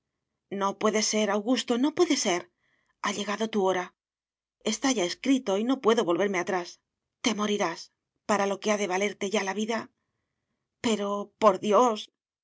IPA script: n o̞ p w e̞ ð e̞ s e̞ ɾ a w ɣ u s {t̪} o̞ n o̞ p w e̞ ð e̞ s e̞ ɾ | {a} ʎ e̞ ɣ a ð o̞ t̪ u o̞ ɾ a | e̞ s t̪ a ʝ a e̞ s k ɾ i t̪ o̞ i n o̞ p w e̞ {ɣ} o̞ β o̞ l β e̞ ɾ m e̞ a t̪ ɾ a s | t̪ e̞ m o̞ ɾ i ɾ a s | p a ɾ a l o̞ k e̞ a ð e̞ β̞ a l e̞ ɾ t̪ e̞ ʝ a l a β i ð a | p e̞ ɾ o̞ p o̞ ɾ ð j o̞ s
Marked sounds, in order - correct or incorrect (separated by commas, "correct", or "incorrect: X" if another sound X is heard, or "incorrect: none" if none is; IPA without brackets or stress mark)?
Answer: correct, correct, incorrect: ð